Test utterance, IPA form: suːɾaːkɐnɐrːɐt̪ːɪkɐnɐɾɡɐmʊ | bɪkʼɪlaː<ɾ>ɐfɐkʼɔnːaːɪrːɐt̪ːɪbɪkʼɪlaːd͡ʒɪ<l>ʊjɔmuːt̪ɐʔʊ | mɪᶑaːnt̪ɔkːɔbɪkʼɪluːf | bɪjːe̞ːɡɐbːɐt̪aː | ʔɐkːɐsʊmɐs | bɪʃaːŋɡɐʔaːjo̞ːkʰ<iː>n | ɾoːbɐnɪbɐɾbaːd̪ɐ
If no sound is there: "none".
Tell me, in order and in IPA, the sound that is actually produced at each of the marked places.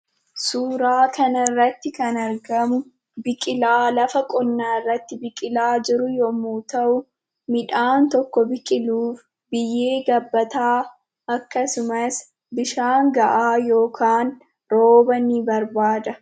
l, ɾ, aː

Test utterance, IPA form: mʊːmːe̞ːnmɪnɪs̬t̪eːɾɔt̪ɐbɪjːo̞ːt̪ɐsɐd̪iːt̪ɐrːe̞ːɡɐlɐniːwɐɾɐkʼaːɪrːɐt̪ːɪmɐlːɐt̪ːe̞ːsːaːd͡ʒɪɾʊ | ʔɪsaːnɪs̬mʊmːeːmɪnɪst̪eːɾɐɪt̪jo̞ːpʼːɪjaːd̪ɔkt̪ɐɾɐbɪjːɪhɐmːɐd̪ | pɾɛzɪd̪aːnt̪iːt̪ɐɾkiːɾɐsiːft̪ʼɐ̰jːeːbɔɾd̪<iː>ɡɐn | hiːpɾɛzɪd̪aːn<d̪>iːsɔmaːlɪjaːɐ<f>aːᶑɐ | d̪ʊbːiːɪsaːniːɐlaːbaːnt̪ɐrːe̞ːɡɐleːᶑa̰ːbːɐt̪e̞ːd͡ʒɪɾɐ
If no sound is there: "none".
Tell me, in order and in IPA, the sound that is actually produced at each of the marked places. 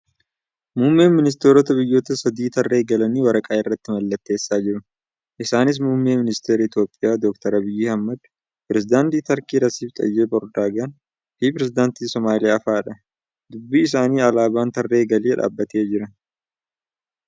aː, t̪, f

